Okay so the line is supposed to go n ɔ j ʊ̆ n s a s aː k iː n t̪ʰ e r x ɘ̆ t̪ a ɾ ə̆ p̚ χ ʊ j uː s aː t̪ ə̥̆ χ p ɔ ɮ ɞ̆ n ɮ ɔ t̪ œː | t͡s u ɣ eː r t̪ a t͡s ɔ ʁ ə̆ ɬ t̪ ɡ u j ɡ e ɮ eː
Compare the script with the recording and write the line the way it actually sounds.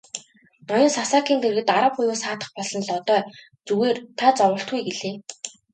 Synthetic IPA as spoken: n ɔ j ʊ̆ n s a s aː k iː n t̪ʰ e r ɣ ɘ̆ t̪ a ɾ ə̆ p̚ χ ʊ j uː s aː t̪ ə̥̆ χ p ɔ ɮ ɞ̆ n ɮ ɔ t̪ œː | t͡s u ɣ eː r t̪ʰ a t͡s ɔ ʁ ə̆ ɬ t̪ ɡ u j ɡ e ɮ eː